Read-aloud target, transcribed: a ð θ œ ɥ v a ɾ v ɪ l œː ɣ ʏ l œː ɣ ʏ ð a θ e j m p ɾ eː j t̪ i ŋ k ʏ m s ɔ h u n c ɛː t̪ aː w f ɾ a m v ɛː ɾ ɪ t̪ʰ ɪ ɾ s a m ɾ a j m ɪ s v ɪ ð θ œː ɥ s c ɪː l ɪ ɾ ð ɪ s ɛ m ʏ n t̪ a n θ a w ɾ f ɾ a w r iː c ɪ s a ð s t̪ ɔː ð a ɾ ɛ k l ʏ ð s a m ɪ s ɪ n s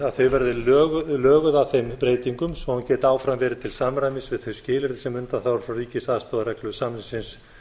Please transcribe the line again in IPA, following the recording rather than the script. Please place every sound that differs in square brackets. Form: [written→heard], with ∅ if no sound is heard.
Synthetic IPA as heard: a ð θ œ ɥ v [a→ɛ] ɾ [v→ð] ɪ l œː ɣ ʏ l œː ɣ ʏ ð a θ e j m p ɾ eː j t̪ i ŋ k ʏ m s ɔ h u n c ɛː t̪ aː w f ɾ a m v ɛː ɾ ɪ t̪ʰ ɪ [ɾ→l] s a m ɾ a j m ɪ s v ɪ ð θ [œː→œ] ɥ s c ɪː l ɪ ɾ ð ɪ s ɛ m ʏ n t̪ a n θ a w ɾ f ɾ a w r iː c ɪ s a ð s t̪ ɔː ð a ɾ ɛ k l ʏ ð s a m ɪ s ɪ n s